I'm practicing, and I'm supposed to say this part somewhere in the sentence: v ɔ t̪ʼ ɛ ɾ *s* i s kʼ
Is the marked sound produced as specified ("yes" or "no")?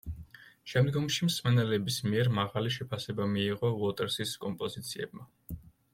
yes